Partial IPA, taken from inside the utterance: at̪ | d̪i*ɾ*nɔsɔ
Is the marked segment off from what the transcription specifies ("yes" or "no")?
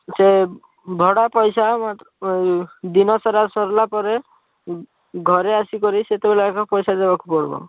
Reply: yes